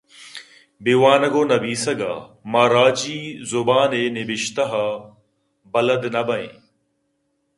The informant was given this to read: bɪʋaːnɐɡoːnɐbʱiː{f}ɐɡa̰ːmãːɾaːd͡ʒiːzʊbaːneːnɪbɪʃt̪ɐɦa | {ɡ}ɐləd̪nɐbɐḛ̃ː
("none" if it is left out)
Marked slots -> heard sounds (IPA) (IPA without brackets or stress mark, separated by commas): s, b